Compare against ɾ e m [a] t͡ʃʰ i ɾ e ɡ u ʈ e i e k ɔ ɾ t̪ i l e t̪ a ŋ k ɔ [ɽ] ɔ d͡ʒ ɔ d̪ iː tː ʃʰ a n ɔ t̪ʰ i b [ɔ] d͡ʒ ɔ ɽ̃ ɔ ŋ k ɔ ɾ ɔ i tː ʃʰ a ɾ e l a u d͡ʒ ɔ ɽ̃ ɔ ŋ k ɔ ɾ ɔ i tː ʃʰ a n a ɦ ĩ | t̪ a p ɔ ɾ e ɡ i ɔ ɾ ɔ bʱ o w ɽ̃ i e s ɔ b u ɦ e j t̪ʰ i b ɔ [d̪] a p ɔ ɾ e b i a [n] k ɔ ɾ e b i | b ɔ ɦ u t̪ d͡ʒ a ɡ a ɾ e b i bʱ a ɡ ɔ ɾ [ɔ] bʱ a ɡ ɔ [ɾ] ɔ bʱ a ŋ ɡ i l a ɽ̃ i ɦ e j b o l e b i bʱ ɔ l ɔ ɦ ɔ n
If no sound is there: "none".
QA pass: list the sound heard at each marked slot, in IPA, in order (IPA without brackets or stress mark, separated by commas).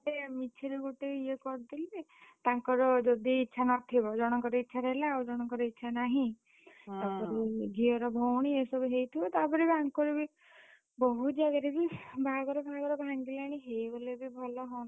i, ɾ, ɔ, t̪, ŋ, ɔ, ɾ